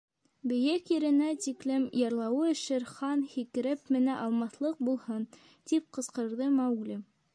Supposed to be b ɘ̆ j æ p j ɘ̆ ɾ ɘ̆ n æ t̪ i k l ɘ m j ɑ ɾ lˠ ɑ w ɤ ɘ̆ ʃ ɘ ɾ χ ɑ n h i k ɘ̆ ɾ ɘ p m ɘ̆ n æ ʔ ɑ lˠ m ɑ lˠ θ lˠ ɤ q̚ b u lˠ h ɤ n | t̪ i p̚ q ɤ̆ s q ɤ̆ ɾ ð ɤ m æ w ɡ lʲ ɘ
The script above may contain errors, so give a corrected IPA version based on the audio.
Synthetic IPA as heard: b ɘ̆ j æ k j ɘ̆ ɾ ɘ̆ n æ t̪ i k l ɘ m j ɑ ɾ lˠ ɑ w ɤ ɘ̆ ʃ ɘ ɾ χ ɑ n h i k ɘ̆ ɾ ɘ p m ɘ̆ n æ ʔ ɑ lˠ m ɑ θ lˠ ɤ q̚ b u lˠ h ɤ n | t̪ i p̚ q ɤ̆ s q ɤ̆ ɾ ð ɤ m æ w ɡ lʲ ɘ